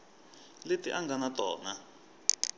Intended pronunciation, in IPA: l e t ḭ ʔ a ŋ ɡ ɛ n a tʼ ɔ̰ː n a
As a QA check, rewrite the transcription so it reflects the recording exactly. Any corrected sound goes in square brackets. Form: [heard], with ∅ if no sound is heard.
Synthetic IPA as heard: l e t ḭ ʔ a ŋ ɡ [a] n a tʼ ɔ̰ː n a